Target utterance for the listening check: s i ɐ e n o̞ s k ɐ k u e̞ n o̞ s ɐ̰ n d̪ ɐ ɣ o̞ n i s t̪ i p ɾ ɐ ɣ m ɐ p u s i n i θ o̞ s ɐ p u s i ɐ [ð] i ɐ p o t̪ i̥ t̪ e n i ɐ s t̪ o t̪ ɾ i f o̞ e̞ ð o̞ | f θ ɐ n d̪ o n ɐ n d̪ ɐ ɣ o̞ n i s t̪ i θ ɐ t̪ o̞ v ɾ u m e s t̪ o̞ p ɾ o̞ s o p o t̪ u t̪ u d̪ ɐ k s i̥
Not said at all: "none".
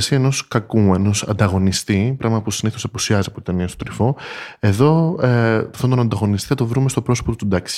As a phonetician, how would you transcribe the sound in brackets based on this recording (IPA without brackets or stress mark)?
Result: z